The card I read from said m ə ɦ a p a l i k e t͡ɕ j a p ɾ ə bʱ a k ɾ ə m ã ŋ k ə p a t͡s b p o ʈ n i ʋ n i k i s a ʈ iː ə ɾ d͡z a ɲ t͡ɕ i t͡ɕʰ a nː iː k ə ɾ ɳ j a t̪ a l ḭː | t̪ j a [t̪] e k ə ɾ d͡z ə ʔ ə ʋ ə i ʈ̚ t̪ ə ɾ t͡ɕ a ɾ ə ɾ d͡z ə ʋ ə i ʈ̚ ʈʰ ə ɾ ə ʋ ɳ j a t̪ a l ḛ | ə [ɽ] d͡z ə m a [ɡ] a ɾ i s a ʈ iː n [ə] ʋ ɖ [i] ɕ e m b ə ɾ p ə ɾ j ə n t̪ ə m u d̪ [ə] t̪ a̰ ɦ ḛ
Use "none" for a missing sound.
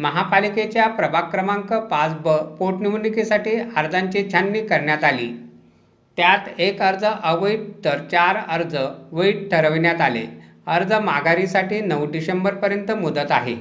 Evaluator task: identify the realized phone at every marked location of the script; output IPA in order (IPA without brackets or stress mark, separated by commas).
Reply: t̪, ɾ, ɡ, ə, i, ə